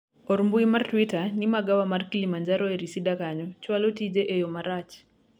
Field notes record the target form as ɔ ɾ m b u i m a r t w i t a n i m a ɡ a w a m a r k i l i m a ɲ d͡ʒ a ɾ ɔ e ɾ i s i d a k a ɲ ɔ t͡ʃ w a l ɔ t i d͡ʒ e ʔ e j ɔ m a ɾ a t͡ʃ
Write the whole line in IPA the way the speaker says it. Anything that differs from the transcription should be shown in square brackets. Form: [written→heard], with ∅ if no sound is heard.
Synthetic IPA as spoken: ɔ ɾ m b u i m a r t w i t a n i m a ɡ a w a m a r k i l i m a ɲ d͡ʒ a ɾ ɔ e ɾ i s i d a k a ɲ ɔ t͡ʃ w a l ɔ t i d͡ʒ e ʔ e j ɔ m a ɾ a t͡ʃ